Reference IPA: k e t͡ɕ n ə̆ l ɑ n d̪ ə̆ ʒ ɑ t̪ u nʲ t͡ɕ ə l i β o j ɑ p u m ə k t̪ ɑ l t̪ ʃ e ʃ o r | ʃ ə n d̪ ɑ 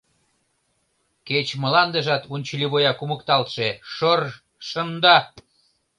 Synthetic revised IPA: k e t͡ɕ m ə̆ l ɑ n d̪ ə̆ ʒ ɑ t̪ u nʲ t͡ɕ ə l i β o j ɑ k u m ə k t̪ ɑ l t̪ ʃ e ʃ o r | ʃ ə n d̪ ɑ